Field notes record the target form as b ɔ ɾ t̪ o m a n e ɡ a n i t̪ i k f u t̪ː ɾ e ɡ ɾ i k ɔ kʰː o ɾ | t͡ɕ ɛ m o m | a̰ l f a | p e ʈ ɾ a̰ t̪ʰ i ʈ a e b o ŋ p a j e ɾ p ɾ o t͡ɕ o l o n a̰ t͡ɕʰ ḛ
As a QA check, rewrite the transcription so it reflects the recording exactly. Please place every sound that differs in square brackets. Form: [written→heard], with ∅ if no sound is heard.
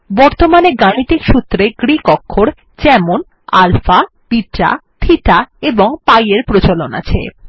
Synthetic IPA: b ɔ ɾ t̪ o m a n e ɡ a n i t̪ i k [f→ʃ] u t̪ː ɾ e ɡ ɾ i k ɔ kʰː o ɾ | t͡ɕ ɛ m o [m→n] | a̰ l f a | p [e→i] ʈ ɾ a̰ t̪ʰ i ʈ a e b o ŋ p a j e ɾ p ɾ o t͡ɕ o l o n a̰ t͡ɕʰ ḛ

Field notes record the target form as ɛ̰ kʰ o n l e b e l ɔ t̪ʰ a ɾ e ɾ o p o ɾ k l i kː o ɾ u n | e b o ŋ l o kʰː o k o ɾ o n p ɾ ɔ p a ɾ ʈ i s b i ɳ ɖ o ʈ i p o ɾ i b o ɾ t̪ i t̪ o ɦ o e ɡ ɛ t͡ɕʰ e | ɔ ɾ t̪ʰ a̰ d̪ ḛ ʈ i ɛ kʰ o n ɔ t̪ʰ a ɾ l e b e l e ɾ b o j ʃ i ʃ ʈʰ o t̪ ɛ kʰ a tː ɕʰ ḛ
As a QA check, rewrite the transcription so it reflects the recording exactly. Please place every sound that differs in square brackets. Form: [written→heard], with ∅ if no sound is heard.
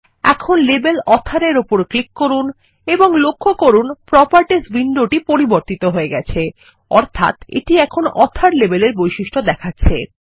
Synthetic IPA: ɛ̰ kʰ o n l e b e l ɔ t̪ʰ a ɾ e ɾ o p o ɾ k l i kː o ɾ u n | e b o ŋ l o kʰː o k o ɾ [o→u] n p ɾ ɔ p a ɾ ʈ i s b i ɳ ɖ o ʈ i p o ɾ i b o ɾ t̪ i t̪ o ɦ o e ɡ ɛ t͡ɕʰ e | ɔ ɾ t̪ʰ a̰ [d̪→t̪] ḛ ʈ i ɛ kʰ o n ɔ t̪ʰ a ɾ l e b e l e ɾ b o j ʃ i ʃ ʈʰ o [t̪→d̪] ɛ kʰ a tː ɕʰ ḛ

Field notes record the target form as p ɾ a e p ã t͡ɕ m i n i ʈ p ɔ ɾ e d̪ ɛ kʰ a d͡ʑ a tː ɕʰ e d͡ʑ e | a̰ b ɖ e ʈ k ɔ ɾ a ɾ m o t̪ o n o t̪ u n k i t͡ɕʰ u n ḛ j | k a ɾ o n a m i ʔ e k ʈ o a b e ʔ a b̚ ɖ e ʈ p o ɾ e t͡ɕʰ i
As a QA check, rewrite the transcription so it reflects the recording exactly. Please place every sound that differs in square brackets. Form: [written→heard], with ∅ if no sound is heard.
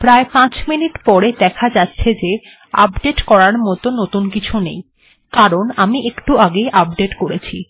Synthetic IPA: p ɾ a e p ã t͡ɕ m i n i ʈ p ɔ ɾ e d̪ ɛ kʰ a d͡ʑ a tː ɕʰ e d͡ʑ e | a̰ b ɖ e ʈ k ɔ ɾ a ɾ m [o→ɔ] t̪ o n o t̪ u n k i t͡ɕʰ u n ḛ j | k a ɾ o n a m i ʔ e k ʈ [o→u] a [b→ɡ] e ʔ a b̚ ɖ e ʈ [p→k] o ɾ e t͡ɕʰ i

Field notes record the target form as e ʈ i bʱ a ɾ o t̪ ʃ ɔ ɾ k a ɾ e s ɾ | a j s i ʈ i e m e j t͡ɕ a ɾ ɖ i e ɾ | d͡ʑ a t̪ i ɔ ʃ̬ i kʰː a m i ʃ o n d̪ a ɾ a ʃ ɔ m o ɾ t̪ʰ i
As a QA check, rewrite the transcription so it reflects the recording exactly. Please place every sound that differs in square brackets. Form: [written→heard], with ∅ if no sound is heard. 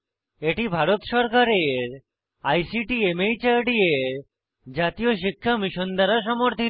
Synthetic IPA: e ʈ i bʱ a ɾ o t̪ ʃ ɔ ɾ k a ɾ e [s→∅] ɾ | a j s i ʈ i e m e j t͡ɕ a ɾ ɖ i e ɾ | d͡ʑ a t̪ i [ɔ→o] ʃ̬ i kʰː a m i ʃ o n d̪ a ɾ a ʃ ɔ m o ɾ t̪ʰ i

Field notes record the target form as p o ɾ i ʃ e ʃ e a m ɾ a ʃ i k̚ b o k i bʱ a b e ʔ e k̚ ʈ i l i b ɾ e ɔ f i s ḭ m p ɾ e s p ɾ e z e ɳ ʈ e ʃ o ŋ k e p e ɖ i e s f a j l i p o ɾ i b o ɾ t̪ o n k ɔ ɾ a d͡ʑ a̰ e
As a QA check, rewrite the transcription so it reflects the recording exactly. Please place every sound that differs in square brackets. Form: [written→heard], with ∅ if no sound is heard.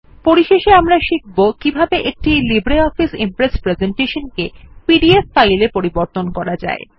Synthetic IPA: p o ɾ i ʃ e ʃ e a m ɾ a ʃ i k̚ b o k i bʱ a b e ʔ e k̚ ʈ i l i b ɾ e ɔ f i s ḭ m p ɾ e s p ɾ e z e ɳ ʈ e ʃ o [ŋ→n] k e p [e→i] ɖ i e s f a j l [i→e] p o ɾ i b o ɾ t̪ o n k ɔ ɾ a d͡ʑ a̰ e

